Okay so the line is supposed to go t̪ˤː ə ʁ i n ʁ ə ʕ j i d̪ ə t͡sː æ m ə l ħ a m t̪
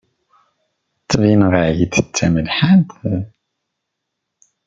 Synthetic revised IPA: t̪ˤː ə v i n ʁ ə ʕ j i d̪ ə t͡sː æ m ə l ħ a n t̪